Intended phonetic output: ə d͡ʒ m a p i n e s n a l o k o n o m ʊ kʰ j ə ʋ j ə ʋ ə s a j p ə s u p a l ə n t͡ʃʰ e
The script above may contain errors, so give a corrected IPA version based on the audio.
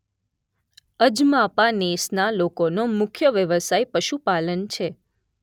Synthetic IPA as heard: ə d͡ʒ m a p a n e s n a l o k o n o m ʊ kʰ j ə ʋ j ə ʋ ə s a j p ə ʃ u p a l ə n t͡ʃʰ e